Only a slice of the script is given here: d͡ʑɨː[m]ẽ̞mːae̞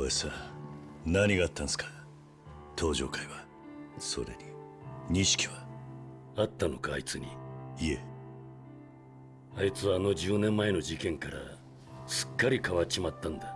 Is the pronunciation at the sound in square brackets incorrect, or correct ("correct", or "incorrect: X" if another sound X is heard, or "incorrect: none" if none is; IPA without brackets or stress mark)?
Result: incorrect: n